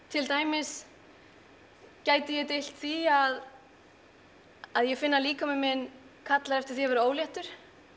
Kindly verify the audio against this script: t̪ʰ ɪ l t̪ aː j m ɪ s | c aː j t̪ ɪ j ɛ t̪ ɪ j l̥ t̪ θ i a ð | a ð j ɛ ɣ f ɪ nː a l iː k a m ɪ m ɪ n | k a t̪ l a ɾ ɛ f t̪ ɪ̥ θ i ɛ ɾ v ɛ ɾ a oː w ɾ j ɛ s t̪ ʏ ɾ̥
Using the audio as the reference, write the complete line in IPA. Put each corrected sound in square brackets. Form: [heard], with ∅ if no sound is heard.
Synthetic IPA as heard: t̪ʰ ɪ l t̪ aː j m ɪ s | c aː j t̪ ɪ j ɛ t̪ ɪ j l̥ t̪ θ i a ð | a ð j ɛ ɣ f ɪ nː a l iː k a m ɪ m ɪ n | [kʰ] a t̪ l a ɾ ɛ f t̪ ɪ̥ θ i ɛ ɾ v ɛ ɾ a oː w [l] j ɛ [h] t̪ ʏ ɾ̥